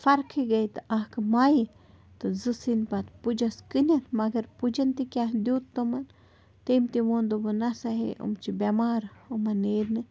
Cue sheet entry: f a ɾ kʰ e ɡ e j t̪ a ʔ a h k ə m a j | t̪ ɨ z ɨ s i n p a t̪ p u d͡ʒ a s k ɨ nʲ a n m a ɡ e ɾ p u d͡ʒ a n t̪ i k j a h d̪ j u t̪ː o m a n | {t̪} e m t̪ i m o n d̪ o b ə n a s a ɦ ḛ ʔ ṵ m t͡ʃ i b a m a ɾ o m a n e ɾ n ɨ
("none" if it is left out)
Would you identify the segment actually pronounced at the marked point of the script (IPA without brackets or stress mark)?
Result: t̪